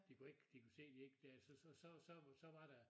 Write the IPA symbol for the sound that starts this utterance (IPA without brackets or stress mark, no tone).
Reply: d̥